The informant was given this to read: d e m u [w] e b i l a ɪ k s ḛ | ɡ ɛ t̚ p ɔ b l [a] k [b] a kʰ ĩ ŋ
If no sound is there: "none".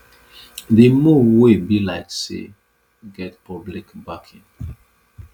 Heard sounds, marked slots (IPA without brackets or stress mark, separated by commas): w, i, b